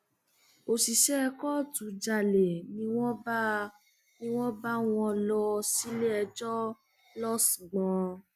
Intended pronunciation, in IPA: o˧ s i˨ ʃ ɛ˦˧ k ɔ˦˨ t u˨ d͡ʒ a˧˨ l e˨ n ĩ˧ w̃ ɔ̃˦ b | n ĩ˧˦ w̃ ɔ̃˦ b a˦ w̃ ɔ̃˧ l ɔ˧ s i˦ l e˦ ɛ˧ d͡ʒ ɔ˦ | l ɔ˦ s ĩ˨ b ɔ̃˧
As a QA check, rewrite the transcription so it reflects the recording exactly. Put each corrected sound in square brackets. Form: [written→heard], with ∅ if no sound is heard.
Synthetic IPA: o˧ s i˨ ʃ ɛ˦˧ k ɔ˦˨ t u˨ d͡ʒ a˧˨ l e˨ n ĩ˧ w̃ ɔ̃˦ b | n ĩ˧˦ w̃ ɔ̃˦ b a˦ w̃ ɔ̃˧ l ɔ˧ s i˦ l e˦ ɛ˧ d͡ʒ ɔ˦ | l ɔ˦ s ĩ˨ [b→ɡ͡b] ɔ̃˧